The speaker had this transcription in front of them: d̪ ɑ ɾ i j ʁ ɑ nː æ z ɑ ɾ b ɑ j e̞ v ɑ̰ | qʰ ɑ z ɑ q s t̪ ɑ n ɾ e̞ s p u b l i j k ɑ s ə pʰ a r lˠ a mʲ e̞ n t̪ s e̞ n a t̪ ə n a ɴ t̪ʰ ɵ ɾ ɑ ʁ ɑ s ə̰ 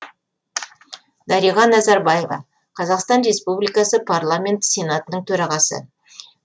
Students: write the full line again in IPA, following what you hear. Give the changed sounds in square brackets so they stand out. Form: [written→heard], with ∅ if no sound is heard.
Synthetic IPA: d̪ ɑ ɾ i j ʁ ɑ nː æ z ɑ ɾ b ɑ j e̞ v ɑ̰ | qʰ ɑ z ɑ q s t̪ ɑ n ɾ e̞ s p u b l i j k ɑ s ə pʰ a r lˠ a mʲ e̞ n t̪ s e̞ n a t̪ ə n [a→ə] ɴ t̪ʰ ɵ ɾ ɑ ʁ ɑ s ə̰